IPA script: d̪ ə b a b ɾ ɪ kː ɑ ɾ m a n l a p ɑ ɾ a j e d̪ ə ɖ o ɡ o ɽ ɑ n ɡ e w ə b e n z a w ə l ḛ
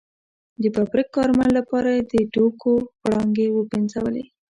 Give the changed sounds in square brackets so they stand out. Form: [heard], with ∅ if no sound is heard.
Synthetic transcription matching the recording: d̪ ə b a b ɾ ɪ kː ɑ ɾ m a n l a p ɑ ɾ a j e d̪ ə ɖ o [k] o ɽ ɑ [ŋ] ɡ e w ə b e n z a w ə l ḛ